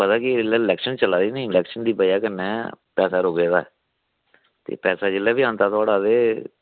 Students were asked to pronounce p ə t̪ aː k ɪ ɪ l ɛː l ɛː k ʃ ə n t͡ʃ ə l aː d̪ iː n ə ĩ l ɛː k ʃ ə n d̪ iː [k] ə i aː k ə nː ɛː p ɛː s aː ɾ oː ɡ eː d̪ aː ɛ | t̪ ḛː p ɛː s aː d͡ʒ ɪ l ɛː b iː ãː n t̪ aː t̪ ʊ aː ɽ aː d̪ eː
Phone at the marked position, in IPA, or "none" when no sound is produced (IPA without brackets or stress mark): p